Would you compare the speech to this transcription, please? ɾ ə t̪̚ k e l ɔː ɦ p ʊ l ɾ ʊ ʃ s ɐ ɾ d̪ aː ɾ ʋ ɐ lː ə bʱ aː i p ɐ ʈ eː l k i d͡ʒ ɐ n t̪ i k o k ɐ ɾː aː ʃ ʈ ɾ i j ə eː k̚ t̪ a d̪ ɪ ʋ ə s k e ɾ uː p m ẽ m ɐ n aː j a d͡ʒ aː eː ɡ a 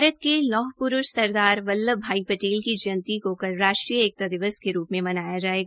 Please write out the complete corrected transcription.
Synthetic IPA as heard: ɾ ə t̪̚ k e l ɔː ɦ p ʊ ɾ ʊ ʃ s ɐ ɾ d̪ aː ɾ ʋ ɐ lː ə bʱ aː i p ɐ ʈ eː l k i d͡ʒ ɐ n t̪ i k o k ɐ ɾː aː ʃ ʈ ɾ i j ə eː k̚ t̪ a d̪ ɪ ʋ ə s k e ɾ uː p m ẽ m ɐ n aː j a d͡ʒ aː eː ɡ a